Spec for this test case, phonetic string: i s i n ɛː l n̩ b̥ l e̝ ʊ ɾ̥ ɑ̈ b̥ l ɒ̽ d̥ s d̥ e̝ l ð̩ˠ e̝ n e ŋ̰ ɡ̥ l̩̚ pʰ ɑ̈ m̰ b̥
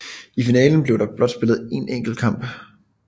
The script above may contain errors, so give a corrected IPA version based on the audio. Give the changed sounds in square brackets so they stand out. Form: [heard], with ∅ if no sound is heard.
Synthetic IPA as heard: i [f] i n ɛː l n̩ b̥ l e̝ ʊ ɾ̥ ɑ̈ b̥ l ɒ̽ d̥ s [b̥] e̝ l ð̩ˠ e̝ n e ŋ̰ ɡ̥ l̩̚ [kʰ] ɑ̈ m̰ b̥